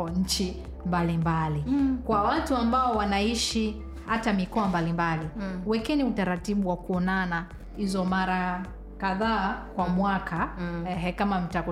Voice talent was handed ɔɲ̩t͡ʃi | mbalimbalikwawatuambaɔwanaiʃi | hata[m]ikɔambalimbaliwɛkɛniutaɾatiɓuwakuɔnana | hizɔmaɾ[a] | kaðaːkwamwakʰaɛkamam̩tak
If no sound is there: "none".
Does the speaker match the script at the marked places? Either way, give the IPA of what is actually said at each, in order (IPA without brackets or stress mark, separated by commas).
m, a